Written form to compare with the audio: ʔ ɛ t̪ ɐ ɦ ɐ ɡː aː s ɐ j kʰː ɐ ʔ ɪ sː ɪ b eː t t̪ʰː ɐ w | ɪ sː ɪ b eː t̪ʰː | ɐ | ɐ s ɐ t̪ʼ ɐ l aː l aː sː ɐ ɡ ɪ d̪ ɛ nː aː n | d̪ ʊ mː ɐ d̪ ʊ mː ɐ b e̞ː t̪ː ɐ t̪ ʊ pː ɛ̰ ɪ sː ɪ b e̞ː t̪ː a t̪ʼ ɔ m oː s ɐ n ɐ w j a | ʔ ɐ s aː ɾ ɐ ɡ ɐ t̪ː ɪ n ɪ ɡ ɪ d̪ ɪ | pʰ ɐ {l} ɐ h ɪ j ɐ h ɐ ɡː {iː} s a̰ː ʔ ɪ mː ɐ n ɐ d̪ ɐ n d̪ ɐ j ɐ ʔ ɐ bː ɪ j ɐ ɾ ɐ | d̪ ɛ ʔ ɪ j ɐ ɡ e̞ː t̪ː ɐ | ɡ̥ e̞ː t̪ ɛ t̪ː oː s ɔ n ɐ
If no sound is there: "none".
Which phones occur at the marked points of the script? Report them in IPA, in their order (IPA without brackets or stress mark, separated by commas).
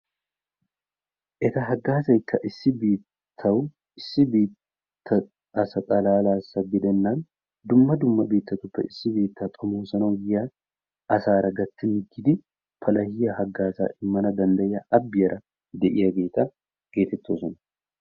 l, aː